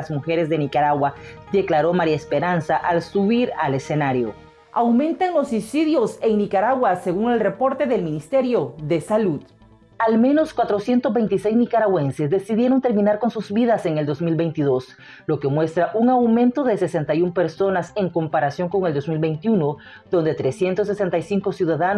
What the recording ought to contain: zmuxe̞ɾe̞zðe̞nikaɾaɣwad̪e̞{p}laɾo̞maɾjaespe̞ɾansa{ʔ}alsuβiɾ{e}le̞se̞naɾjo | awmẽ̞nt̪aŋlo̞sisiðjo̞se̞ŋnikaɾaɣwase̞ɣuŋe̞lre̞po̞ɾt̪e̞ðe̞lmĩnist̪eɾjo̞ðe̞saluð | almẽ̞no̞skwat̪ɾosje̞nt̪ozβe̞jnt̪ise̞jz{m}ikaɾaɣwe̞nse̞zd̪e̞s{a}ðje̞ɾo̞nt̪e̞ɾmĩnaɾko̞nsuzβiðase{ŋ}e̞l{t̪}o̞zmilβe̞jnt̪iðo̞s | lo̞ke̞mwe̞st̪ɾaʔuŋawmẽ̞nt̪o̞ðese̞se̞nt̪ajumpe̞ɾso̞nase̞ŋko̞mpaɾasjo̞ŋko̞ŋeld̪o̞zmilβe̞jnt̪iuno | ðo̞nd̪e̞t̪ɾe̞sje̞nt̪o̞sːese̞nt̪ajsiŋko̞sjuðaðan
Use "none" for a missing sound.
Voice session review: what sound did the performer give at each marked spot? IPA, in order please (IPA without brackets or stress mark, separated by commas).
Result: k, ʔ, a, n, i, ŋ, d̪